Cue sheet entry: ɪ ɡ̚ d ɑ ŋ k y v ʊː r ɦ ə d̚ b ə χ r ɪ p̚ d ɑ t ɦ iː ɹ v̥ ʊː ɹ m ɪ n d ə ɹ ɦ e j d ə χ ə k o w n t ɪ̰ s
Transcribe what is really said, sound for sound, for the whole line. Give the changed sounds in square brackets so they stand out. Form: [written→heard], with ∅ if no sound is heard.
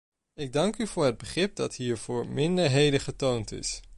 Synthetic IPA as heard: ɪ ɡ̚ d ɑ ŋ k y v ʊː [r→ɹ] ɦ ə d̚ b ə χ r ɪ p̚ d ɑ t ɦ iː ɹ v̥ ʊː ɹ m ɪ n d ə ɹ ɦ e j d ə χ ə [k→t] o w n t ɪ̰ s